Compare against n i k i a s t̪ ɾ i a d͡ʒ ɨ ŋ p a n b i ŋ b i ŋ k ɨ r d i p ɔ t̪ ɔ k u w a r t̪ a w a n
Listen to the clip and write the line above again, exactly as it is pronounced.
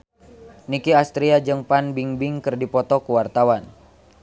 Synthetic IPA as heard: n i k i a s t̪ ɾ i a d͡ʒ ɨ ŋ p a n b i ŋ b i ŋ k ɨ r d i p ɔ t̪ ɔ k u w a r t̪ a w a n